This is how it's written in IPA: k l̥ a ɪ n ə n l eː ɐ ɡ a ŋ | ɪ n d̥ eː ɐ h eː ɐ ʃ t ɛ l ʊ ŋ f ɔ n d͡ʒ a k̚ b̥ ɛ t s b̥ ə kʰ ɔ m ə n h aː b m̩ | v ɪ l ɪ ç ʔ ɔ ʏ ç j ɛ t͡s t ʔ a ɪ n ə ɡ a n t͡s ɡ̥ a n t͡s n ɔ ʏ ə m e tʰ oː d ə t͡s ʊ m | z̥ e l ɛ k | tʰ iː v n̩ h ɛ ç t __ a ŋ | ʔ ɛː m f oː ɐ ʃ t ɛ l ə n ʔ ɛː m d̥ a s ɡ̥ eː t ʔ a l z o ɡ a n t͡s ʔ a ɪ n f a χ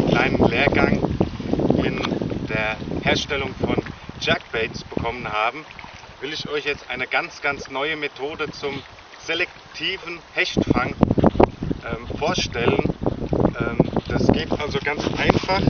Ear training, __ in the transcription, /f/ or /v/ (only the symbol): f